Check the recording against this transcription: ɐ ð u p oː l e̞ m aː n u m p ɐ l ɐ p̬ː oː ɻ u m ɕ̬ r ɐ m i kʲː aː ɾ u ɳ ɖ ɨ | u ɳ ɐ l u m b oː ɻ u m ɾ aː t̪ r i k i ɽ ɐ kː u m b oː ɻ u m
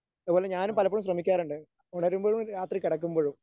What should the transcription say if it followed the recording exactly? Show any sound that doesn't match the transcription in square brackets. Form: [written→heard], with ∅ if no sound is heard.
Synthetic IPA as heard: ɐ ð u p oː l e̞ [m→ɲ] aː n u m p ɐ l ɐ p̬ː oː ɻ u m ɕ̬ r ɐ m i kʲː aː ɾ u ɳ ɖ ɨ | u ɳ ɐ [l→ɾ] u m b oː ɻ u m ɾ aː t̪ r i k i ɽ ɐ kː u m b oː ɻ u m